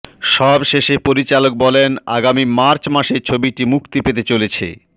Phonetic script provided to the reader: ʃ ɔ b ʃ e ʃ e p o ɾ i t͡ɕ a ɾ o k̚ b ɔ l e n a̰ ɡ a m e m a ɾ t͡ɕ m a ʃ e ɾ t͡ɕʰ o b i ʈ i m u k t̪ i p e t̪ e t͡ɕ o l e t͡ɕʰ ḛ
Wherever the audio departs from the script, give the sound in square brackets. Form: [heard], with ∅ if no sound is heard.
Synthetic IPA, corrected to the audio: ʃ ɔ b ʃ e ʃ e p o ɾ i t͡ɕ a [l] o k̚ b ɔ l e n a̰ ɡ a m [i] m a ɾ t͡ɕ m a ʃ e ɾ t͡ɕʰ o b i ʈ i m u k t̪ i p e t̪ e t͡ɕ o l e t͡ɕʰ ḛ